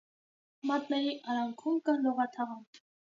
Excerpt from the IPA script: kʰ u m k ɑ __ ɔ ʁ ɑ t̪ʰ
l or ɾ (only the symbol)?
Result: l